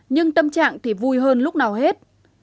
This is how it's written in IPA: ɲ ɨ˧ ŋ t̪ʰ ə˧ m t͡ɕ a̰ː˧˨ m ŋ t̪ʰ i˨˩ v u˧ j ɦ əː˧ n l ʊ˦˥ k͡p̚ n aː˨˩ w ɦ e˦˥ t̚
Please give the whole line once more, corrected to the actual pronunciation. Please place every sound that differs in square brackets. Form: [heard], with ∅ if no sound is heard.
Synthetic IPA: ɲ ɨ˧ ŋ [t̪] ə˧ m t͡ɕ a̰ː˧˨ [∅] ŋ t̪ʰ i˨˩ v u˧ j ɦ əː˧ n l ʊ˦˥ k͡p̚ n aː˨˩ w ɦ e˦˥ t̚